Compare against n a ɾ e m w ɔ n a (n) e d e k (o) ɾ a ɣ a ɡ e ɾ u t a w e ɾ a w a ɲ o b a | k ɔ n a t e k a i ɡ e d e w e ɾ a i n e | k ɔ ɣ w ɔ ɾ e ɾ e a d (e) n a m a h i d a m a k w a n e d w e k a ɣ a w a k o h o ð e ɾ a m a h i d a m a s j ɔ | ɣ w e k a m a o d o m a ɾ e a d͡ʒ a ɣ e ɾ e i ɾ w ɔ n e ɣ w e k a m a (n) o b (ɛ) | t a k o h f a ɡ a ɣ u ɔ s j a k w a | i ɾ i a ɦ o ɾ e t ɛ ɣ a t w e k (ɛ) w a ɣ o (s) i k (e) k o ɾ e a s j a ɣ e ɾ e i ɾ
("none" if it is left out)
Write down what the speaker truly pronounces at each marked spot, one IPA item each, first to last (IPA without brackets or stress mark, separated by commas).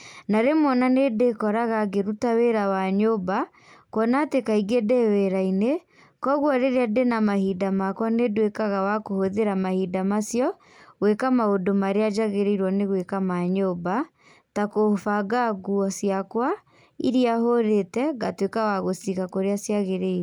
n, ɔ, e, ɲ, a, a, s, a